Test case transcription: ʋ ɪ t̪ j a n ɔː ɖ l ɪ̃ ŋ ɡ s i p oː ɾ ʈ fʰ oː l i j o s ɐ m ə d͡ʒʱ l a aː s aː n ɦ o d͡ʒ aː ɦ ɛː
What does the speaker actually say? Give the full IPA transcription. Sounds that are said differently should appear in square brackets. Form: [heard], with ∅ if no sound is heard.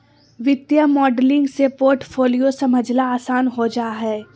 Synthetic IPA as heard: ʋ ɪ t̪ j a [m] ɔː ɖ l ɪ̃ ŋ ɡ s [e] p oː ɾ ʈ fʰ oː l i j o s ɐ m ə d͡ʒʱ l a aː s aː n ɦ o d͡ʒ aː ɦ ɛː